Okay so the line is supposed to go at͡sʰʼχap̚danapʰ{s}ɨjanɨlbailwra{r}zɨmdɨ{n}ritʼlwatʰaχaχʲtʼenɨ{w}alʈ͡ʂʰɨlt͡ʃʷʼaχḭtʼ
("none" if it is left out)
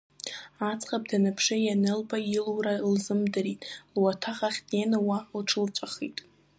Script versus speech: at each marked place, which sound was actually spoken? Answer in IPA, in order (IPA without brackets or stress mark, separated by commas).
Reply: ʂ, l, none, w